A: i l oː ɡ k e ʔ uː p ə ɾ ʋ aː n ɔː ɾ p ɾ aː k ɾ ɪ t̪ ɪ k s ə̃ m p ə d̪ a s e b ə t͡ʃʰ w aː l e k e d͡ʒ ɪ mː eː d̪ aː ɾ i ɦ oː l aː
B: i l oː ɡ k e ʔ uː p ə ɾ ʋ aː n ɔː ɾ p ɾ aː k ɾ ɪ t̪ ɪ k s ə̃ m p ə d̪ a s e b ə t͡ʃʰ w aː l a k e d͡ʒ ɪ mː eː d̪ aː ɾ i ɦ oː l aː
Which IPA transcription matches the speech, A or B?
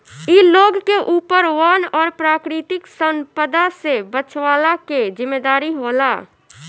B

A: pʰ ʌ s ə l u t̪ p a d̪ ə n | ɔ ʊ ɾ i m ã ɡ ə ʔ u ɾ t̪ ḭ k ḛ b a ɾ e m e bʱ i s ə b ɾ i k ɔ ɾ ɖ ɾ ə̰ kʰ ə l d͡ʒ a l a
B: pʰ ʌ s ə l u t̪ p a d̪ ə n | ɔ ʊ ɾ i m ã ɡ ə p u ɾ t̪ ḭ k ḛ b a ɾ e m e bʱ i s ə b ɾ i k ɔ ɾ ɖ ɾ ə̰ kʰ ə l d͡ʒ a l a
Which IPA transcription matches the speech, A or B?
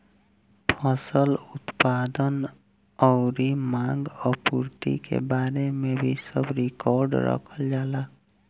B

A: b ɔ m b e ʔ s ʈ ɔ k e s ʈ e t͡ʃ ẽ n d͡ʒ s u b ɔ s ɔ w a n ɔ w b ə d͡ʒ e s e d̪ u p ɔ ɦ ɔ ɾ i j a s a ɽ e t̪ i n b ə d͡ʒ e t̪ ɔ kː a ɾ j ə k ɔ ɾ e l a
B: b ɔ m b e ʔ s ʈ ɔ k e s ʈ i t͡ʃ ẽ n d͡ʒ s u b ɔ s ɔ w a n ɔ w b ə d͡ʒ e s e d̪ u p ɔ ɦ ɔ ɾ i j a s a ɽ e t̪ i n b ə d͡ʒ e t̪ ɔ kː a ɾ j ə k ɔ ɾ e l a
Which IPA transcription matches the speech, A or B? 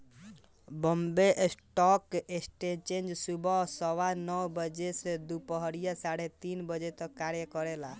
A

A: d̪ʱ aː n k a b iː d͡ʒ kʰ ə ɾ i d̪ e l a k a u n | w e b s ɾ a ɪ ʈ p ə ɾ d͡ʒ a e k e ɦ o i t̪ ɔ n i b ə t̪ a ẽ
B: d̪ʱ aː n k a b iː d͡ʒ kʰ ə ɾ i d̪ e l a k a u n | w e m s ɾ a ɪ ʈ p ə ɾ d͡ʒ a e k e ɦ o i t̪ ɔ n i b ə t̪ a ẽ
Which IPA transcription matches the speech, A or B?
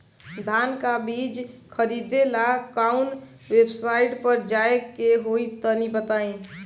A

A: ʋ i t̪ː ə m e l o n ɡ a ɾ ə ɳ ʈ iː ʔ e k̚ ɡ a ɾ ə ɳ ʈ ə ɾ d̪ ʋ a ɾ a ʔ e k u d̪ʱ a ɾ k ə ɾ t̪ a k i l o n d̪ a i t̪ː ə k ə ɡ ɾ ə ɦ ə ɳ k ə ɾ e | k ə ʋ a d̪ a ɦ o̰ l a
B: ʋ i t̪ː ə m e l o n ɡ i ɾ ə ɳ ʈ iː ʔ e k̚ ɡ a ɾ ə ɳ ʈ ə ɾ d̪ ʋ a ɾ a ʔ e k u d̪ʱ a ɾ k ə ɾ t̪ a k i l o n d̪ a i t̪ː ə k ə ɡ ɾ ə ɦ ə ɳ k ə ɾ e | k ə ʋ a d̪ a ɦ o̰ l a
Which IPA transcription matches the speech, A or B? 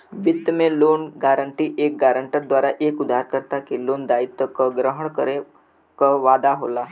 A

